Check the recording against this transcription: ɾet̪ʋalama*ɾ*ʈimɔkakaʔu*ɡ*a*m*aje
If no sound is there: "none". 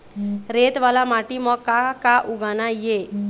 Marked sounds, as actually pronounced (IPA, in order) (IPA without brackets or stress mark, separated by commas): none, ɡ, n